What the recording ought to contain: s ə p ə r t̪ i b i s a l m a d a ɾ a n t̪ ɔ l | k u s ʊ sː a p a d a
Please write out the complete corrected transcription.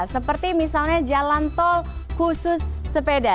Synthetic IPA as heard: s ə p ə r t̪ i m i s a l ɲ a d͡ʒ a l a n t̪ ɔ l | k u s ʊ sː ə p e d a